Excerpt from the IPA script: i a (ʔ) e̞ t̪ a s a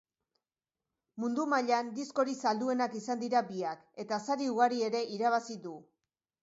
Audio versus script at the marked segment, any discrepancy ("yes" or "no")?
yes